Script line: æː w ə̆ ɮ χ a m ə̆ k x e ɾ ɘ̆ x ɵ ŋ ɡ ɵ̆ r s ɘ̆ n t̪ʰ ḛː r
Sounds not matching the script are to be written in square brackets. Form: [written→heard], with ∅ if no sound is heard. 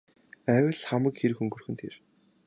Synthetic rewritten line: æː w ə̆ ɮ χ a m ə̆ k x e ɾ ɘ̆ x ɵ ŋ ɡ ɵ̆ r [s→x] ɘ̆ n t̪ʰ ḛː r